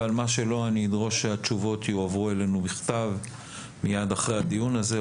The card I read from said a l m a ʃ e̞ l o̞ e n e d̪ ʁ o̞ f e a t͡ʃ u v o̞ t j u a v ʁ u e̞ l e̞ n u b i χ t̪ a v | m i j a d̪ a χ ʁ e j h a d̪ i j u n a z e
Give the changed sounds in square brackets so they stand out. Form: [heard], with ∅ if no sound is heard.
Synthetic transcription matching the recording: a l m a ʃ e̞ l o̞ [a] n [i] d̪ ʁ o̞ [ʃ] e a t͡ʃ u v o̞ t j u a v ʁ u e̞ l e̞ n u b i χ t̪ a v | m i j a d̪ a χ ʁ e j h a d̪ i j u n a z e